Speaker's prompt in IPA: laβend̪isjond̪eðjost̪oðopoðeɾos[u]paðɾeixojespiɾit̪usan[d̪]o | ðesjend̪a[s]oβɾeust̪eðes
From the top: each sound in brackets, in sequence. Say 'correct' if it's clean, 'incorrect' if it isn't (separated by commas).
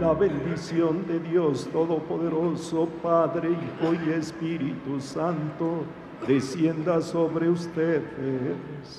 incorrect, incorrect, correct